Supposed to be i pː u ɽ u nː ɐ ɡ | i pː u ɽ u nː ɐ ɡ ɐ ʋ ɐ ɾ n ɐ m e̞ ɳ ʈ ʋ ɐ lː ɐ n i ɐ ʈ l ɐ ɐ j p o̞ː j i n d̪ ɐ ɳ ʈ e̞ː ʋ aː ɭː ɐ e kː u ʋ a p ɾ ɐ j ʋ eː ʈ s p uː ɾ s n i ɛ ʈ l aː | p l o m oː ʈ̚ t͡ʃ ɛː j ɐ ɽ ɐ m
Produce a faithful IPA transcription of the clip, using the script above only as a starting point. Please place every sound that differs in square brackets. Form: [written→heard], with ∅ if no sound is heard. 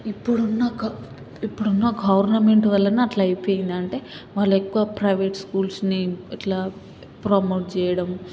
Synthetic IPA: i pː u ɽ u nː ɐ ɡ | i pː u ɽ u nː ɐ ɡ ɐ ʋ ɐ ɾ n ɐ m e̞ ɳ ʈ ʋ ɐ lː ɐ n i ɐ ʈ l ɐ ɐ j p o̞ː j i n d̪ ɐ ɳ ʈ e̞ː ʋ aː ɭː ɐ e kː u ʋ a p ɾ ɐ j ʋ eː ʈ s [p→k] uː [ɾ→l] s n i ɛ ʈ l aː | p [l→ɾ] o m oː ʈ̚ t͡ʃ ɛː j ɐ ɽ ɐ m